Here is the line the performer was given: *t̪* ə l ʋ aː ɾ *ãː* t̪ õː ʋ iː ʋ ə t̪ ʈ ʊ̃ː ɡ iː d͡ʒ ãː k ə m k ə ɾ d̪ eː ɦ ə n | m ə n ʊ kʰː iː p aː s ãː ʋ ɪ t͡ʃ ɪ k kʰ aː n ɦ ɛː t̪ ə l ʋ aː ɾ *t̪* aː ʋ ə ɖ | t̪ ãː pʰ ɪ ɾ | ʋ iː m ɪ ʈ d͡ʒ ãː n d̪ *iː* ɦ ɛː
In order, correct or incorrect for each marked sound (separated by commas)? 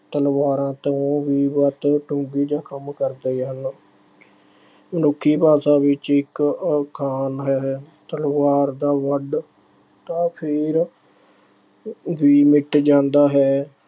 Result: correct, correct, incorrect, incorrect